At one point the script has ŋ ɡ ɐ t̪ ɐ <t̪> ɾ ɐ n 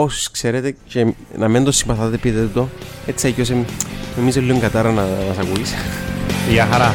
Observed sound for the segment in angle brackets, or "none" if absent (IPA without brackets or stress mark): none